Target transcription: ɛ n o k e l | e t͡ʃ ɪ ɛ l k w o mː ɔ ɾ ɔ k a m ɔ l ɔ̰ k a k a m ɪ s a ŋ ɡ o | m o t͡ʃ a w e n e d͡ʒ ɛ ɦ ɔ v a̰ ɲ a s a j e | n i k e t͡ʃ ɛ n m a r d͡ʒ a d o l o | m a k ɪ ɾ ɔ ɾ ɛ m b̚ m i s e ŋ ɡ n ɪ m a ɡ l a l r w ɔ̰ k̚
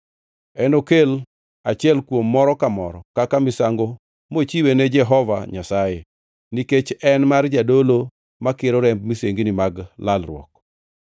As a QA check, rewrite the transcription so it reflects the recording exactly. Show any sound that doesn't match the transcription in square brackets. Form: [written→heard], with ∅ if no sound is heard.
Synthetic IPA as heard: ɛ n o k e l | [e→a] t͡ʃ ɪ ɛ l k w o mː ɔ ɾ ɔ k a m ɔ [l→ɾ] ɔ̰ k a k a m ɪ s a ŋ ɡ o | m o t͡ʃ [a→i] w e n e d͡ʒ ɛ ɦ ɔ v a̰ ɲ a s a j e | n i k e t͡ʃ ɛ n m a r d͡ʒ a d o l o | m a k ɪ ɾ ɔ ɾ ɛ m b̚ m i s e ŋ ɡ n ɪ m a ɡ l a l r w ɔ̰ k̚